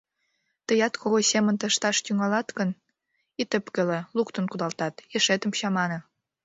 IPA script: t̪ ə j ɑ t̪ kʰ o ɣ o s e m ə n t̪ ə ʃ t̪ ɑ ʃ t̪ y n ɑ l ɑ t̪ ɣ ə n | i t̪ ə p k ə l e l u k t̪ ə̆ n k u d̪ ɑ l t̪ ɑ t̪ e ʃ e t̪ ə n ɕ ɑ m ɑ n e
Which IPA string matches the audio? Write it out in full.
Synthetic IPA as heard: t̪ ə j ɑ t̪ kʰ o ɣ o s e m ə n t̪ ə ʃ t̪ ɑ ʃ t̪ y ŋ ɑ l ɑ t̪ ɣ ə n | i t̪ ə p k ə l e l u k t̪ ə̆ n k u d̪ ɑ l t̪ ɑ t̪ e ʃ e t̪ ə m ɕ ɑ m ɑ n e